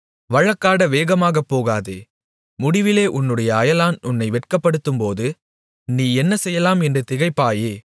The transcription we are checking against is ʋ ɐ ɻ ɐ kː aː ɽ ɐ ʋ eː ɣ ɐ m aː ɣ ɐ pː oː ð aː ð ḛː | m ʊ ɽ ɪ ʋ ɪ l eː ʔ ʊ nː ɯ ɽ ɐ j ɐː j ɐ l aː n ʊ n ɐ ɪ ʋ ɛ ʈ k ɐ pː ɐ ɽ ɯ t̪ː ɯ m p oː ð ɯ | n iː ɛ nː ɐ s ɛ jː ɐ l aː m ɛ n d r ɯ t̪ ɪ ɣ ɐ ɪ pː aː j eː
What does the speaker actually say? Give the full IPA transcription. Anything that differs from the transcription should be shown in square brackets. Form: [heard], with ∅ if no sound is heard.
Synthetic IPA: ʋ ɐ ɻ ɐ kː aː ɽ ɐ ʋ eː ɣ ɐ m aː ɣ ɐ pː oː [ɣ] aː ð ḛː | m ʊ ɽ ɪ ʋ ɪ l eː ʔ ʊ nː ɯ ɽ ɐ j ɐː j ɐ l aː n ʊ [nː] ɐ ɪ ʋ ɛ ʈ k ɐ pː ɐ ɽ ɯ t̪ː ɯ m p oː ð ɯ | n iː ɛ nː ɐ s ɛ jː ɐ l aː m ɛ n d r ɯ t̪ ɪ ɣ ɐ ɪ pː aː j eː